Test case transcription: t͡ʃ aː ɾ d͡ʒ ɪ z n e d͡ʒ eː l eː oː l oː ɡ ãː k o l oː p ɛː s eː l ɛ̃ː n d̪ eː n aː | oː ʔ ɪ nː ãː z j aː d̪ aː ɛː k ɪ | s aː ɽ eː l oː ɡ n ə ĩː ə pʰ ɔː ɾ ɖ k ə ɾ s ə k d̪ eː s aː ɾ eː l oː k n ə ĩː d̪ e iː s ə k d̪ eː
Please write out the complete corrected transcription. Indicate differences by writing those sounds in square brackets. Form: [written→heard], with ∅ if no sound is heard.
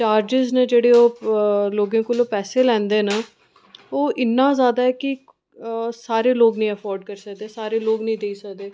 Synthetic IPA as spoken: t͡ʃ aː ɾ d͡ʒ ɪ z n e d͡ʒ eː [l→ɽ] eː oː l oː ɡ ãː k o l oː p ɛː s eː l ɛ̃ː n d̪ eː n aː | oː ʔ ɪ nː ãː z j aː d̪ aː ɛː k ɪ | s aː [ɽ→ɾ] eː l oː ɡ n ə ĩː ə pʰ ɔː ɾ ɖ k ə ɾ s ə k d̪ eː s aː ɾ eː l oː [k→ɡ] n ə ĩː d̪ e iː s ə k d̪ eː